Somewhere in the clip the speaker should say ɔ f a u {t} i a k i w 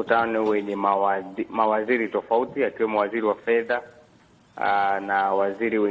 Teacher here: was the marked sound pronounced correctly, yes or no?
yes